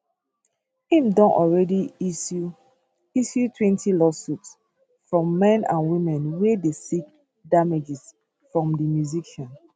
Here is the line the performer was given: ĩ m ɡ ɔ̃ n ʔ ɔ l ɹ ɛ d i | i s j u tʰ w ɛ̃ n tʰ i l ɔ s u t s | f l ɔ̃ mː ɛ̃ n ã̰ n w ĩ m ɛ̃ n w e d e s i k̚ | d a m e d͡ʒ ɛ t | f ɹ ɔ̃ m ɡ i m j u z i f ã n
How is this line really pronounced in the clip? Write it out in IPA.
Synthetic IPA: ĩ m d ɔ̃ n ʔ ɔ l ɹ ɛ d i | i s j u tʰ w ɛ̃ n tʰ i l ɔ s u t s | f ɹ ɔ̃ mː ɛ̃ n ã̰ n w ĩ m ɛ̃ n w e d e s i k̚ | d a m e d͡ʒ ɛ s | f ɹ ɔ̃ m d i m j u z i ʃ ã n